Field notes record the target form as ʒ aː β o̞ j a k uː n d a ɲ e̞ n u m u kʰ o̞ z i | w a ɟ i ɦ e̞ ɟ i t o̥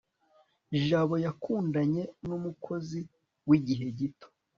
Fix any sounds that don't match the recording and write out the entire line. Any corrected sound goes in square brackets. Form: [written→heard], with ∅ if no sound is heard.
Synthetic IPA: ʒ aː β o̞ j a k uː n d a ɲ e̞ n u m u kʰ o̞ z i | w [a→i] ɟ i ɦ e̞ ɟ i t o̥